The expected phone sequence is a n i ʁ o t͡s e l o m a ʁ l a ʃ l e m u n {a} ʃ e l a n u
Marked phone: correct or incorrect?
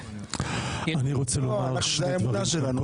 correct